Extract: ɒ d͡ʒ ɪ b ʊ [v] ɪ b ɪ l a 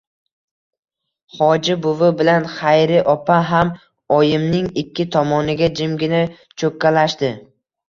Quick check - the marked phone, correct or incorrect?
correct